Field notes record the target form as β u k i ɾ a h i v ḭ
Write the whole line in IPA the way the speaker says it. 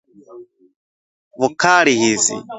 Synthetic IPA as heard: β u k a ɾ i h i z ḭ